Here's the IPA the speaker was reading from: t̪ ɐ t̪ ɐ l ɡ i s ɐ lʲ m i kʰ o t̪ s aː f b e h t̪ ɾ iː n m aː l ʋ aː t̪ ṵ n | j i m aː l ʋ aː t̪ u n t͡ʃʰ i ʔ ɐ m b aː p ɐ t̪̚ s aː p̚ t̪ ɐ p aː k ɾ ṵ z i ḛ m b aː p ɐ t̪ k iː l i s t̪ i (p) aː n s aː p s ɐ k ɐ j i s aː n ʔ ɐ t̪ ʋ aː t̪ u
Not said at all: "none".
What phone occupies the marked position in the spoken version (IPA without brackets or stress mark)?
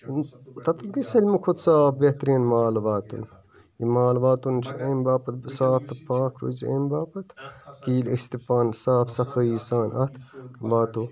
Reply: p